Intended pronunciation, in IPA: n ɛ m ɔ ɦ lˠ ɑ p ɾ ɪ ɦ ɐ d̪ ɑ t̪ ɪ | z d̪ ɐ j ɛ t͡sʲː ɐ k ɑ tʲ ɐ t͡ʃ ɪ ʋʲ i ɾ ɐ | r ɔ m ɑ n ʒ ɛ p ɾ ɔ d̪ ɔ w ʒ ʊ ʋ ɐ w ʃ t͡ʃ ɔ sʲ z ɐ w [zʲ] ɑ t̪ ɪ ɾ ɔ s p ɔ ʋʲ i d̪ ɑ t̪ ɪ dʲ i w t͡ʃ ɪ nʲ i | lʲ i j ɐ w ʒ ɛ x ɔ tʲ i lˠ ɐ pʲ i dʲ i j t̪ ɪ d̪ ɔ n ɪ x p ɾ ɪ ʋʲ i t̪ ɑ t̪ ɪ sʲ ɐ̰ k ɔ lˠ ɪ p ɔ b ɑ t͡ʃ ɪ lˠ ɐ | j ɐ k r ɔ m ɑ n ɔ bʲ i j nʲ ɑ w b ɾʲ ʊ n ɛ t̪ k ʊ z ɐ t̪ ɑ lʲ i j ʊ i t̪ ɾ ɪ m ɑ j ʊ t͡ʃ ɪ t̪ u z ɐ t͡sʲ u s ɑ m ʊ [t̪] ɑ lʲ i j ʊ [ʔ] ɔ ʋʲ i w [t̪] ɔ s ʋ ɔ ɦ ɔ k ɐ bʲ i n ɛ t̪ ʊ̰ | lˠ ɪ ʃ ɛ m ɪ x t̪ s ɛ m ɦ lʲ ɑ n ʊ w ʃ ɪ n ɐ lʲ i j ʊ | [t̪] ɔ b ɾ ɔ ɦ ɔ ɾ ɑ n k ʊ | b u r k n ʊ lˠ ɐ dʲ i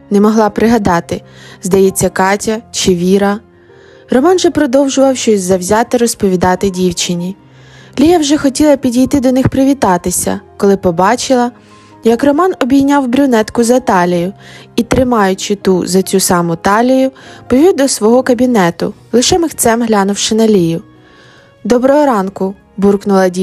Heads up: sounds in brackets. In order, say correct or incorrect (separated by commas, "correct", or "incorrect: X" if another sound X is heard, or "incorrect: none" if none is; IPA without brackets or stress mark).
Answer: correct, correct, incorrect: p, incorrect: d̪, incorrect: d̪